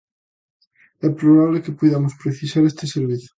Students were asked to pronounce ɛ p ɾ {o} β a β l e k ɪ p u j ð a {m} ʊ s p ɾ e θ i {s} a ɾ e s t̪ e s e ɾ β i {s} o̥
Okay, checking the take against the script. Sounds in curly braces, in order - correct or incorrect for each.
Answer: correct, correct, correct, incorrect: θ

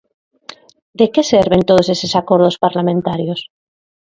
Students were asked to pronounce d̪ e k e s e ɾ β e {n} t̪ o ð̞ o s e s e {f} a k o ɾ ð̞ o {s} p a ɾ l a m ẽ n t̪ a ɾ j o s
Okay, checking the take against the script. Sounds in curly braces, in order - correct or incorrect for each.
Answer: correct, incorrect: s, correct

